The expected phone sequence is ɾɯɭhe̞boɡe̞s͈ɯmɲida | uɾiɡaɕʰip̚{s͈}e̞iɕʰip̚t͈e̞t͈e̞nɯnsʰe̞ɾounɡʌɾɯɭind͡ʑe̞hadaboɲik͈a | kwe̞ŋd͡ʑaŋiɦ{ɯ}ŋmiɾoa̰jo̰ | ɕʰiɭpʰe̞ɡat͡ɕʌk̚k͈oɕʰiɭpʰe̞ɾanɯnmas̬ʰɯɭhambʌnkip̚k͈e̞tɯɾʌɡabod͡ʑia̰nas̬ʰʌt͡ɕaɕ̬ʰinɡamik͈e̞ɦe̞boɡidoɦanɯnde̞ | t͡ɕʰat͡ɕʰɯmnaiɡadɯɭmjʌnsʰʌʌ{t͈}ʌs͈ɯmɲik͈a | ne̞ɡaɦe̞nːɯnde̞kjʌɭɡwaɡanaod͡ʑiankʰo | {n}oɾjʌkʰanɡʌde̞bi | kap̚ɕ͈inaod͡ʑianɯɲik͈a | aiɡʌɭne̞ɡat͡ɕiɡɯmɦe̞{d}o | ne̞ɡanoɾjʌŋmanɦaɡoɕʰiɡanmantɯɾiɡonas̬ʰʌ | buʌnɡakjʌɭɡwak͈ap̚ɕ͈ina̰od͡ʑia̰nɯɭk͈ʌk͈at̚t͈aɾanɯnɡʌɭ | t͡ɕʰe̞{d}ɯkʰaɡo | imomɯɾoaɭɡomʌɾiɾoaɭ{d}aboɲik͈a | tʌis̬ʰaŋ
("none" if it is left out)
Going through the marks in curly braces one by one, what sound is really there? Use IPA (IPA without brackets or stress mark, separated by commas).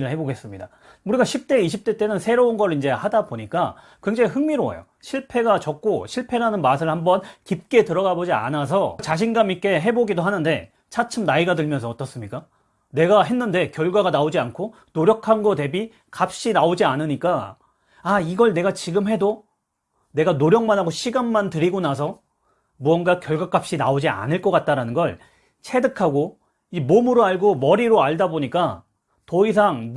t͈, ɯ, t͈, n, d, d, d